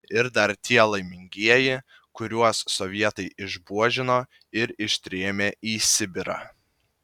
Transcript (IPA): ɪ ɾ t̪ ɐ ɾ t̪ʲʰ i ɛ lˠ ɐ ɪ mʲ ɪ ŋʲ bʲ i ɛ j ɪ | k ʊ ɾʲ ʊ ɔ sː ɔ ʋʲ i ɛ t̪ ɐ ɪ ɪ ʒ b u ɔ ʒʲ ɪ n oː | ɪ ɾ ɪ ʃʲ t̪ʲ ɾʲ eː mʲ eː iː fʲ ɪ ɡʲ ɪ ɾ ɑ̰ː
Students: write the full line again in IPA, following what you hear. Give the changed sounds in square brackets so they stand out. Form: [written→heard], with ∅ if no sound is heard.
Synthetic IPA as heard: ɪ ɾ [t̪→d̪] ɐ ɾ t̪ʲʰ i ɛ lˠ ɐ ɪ mʲ ɪ ŋʲ [bʲ→ɡʲ] i ɛ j ɪ | k ʊ ɾʲ [ʊ→u] ɔ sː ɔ ʋʲ i ɛ t̪ ɐ ɪ ɪ ʒ b u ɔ ʒʲ ɪ n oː | ɪ ɾ ɪ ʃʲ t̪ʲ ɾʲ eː mʲ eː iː [fʲ→sʲ] ɪ [ɡʲ→bʲ] ɪ ɾ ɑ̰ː